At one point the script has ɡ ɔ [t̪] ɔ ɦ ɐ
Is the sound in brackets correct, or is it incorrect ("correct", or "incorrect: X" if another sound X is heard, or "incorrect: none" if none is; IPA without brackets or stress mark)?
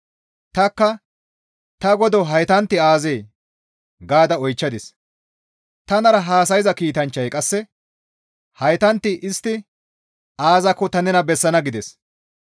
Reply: incorrect: d̪